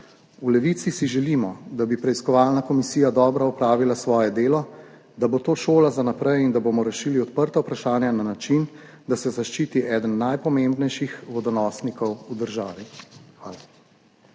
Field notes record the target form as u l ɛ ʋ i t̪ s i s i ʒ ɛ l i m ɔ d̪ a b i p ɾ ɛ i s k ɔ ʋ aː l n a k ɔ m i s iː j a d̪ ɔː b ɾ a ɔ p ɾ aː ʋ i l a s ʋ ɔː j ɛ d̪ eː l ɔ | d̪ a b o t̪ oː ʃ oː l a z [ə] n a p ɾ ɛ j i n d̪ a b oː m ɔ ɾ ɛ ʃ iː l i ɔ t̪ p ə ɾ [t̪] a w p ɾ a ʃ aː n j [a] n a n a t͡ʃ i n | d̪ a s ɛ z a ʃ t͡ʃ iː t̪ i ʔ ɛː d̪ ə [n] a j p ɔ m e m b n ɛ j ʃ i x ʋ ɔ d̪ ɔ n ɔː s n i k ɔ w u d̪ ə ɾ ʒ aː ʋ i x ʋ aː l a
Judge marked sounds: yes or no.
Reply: no, yes, yes, no

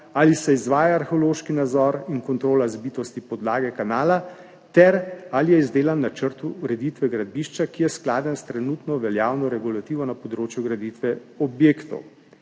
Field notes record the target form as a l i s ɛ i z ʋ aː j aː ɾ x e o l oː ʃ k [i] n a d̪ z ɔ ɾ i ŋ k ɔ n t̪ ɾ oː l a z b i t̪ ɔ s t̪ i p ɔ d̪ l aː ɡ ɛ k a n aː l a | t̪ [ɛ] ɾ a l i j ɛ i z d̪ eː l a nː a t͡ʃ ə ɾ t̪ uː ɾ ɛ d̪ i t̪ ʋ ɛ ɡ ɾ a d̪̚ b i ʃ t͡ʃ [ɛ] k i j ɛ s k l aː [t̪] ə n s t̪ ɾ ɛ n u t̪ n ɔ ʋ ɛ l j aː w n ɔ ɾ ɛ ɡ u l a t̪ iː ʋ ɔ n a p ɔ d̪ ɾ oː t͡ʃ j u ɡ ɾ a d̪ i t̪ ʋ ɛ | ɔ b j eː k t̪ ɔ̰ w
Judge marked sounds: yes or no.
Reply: yes, yes, no, no

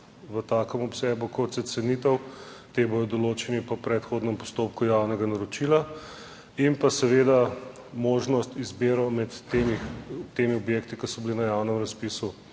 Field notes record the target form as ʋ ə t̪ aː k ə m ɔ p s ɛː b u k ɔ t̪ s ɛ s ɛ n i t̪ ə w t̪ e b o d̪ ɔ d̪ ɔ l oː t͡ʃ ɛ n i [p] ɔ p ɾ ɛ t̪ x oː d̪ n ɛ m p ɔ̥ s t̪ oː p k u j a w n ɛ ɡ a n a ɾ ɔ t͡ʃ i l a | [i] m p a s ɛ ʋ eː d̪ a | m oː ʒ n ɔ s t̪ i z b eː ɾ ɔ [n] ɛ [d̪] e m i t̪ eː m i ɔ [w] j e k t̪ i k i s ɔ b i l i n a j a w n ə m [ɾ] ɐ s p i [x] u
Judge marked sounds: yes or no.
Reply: yes, yes, no, no, no, yes, no

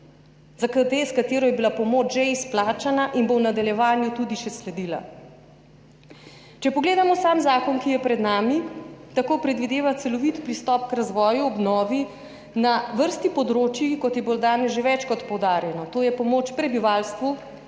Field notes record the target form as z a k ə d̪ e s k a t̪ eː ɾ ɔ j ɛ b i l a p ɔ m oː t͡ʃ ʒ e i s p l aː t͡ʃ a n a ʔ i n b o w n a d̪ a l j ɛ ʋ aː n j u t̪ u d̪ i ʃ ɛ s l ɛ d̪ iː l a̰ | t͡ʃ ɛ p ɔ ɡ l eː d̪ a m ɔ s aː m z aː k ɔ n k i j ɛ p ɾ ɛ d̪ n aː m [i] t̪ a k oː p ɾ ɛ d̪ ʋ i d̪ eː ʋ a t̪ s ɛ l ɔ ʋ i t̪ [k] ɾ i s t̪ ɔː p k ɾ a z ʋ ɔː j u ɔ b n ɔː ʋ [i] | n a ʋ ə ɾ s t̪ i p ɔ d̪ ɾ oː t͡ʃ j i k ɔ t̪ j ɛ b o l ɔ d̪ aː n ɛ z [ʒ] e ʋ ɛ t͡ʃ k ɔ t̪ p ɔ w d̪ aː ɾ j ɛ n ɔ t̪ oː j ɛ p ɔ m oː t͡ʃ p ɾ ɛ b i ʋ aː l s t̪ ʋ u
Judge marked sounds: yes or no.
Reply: yes, no, yes, yes

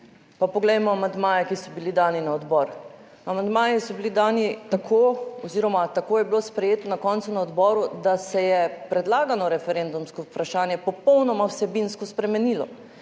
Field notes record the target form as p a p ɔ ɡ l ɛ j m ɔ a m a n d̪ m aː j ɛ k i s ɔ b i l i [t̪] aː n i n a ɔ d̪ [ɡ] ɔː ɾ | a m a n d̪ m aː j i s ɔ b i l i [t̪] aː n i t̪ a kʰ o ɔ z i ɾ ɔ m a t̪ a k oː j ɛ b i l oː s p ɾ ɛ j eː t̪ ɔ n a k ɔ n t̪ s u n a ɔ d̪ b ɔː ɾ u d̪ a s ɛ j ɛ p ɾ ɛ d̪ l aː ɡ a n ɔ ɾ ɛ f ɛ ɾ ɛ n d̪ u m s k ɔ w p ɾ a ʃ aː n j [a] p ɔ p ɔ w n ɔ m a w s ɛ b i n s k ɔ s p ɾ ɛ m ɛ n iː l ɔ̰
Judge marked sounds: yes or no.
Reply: no, no, no, no

